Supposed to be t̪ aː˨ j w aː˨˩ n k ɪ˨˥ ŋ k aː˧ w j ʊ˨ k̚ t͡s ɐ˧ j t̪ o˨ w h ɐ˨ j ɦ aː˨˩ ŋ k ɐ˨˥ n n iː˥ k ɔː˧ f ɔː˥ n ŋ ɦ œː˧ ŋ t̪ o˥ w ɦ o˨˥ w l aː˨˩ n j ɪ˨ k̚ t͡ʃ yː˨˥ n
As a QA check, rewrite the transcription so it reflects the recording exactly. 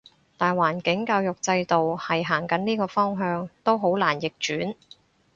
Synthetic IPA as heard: t̪ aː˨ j w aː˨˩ n k ɪ˨˥ ŋ k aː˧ w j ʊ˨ k̚ t͡s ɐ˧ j t̪ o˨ w h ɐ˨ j ɦ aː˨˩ ŋ k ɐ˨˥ n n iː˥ k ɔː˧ f ɔː˥ ŋ ɦ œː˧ ŋ t̪ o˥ w ɦ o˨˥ w l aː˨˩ n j ɪ˨ k̚ t͡ʃ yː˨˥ n